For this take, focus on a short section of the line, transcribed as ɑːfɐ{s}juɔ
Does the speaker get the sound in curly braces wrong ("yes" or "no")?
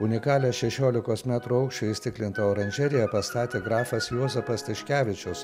no